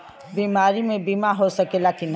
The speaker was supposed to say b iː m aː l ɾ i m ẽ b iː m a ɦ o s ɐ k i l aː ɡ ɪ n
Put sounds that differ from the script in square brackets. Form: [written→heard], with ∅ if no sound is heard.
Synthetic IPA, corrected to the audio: b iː m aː [l→∅] ɾ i m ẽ b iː m a ɦ o s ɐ k [i→e] l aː [ɡ→k] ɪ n